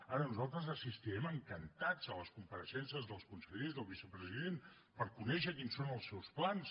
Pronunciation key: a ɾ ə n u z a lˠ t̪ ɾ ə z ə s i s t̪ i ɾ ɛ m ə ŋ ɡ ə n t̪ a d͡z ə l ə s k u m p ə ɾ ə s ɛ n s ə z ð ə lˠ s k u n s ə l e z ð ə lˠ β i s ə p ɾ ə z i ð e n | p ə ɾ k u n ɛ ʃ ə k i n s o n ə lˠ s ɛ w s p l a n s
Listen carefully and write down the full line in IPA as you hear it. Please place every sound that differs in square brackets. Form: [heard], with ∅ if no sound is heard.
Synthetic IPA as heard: a ɾ ə n u z a lˠ t̪ ɾ ə z ə s i s t̪ i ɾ ɛ m ə ŋ [k] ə n t̪ a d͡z ə l ə s k u m p ə ɾ ə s ɛ n s ə z ð ə lˠ s k u n s ə [ʎ] e z ð ə lˠ β i s ə p ɾ ə z i ð e n | p ə ɾ k u n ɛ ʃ ə k i n s o n ə lˠ s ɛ w s p l a n s